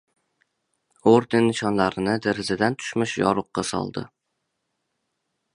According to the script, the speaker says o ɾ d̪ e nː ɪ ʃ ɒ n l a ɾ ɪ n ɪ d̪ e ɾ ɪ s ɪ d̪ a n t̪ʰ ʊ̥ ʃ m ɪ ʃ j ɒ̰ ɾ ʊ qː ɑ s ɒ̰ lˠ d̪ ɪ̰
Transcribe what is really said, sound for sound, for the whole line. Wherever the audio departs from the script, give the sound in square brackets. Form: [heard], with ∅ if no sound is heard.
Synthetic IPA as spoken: o ɾ d̪ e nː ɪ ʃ ɒ n l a ɾ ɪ n ɪ d̪ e ɾ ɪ [z] ɪ d̪ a n t̪ʰ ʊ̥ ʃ m ɪ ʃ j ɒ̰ ɾ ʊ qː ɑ s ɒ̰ lˠ d̪ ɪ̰